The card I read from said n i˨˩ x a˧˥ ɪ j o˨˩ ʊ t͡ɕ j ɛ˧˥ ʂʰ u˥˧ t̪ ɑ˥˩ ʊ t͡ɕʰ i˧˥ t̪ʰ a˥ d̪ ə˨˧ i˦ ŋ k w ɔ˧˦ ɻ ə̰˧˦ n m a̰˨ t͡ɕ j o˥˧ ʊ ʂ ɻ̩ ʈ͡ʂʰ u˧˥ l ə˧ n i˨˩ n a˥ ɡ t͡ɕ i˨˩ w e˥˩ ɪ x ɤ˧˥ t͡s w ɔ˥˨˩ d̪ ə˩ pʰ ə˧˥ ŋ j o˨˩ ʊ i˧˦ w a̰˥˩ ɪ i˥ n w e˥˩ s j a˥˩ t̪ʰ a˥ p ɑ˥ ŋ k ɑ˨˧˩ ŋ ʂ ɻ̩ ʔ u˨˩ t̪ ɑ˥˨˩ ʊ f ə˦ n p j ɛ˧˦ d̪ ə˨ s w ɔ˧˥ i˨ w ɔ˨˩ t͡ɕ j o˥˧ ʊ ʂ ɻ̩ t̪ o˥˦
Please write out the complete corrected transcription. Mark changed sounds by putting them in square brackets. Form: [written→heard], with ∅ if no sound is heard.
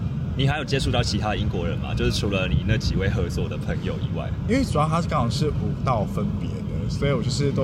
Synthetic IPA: n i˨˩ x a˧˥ ɪ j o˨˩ ʊ t͡ɕ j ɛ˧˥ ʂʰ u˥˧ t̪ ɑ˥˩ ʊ t͡ɕʰ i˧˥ t̪ʰ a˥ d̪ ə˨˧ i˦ ŋ k w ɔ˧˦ ɻ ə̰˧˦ n m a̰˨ t͡ɕ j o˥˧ ʊ ʂ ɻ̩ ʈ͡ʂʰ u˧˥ l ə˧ n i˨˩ n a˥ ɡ t͡ɕ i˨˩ w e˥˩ ɪ x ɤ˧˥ t͡s w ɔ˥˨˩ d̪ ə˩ pʰ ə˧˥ ŋ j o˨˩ ʊ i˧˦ w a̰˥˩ ɪ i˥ n w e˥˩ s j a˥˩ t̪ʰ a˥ [p→k] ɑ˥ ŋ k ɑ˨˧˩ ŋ ʂ ɻ̩ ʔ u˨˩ t̪ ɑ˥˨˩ ʊ f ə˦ n p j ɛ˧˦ d̪ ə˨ s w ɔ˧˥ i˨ w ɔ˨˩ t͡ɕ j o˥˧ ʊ ʂ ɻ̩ t̪ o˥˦